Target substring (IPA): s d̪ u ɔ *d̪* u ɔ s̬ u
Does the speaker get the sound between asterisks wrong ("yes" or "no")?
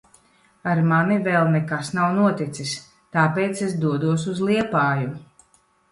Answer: no